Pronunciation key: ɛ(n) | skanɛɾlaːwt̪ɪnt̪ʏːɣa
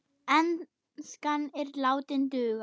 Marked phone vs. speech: correct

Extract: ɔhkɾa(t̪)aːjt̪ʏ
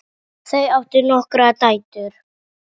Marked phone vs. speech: correct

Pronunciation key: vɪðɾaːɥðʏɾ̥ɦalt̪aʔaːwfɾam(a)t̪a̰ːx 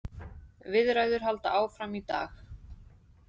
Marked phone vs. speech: incorrect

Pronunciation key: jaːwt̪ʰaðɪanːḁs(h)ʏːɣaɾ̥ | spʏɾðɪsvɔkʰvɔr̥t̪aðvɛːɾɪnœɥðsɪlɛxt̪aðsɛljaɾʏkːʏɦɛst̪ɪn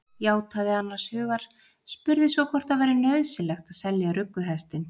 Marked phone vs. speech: correct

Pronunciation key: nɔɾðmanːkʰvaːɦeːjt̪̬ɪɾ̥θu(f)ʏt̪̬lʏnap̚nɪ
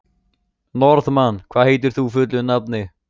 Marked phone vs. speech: correct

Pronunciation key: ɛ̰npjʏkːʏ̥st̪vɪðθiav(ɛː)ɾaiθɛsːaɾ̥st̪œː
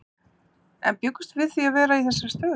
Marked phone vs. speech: correct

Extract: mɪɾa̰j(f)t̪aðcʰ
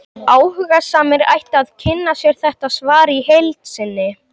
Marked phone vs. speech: incorrect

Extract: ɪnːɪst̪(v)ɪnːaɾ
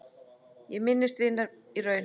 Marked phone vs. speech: correct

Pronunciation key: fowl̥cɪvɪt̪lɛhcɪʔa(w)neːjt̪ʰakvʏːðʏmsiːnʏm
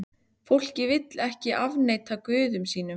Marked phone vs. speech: incorrect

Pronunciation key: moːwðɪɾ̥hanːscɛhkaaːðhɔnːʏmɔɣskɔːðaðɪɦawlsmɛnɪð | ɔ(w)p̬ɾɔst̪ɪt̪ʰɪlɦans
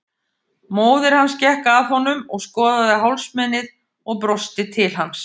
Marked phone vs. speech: incorrect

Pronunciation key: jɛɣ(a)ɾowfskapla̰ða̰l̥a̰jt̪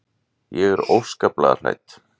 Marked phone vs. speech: incorrect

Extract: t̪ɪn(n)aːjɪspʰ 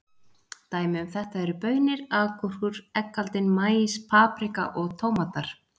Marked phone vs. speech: incorrect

